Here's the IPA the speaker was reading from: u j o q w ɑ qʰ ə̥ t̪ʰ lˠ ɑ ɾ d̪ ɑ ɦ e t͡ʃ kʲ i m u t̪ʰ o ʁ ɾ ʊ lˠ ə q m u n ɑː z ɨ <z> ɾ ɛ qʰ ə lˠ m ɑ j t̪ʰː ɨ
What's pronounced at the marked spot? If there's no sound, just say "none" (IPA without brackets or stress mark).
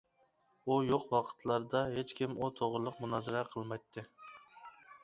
none